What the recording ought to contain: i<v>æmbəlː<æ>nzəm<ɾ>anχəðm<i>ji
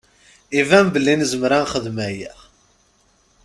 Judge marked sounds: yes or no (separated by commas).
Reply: yes, no, yes, no